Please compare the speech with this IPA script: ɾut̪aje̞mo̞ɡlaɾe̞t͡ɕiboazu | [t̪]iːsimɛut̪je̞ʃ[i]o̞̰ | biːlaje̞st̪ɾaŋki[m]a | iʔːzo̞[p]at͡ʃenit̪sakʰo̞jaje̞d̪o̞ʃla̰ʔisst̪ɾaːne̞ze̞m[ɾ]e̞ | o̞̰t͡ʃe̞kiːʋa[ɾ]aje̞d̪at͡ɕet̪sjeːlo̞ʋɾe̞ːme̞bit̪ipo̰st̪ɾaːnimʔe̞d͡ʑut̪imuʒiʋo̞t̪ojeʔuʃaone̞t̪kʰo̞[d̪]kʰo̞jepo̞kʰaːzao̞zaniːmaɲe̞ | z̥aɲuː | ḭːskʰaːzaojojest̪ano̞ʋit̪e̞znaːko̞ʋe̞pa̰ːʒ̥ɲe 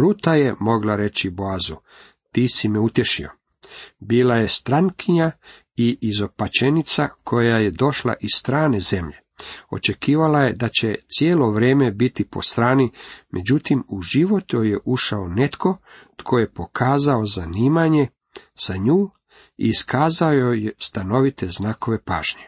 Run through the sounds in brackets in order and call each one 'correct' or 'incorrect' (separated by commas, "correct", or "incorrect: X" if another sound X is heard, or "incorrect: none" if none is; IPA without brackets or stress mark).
correct, correct, incorrect: ɲ, correct, incorrect: ʎ, incorrect: l, incorrect: t̪